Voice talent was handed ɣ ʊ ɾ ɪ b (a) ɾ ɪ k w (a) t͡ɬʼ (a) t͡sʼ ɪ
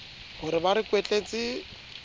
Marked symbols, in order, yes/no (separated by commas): yes, no, no